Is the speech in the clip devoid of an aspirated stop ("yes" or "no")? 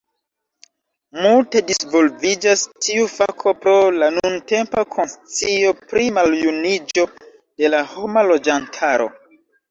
no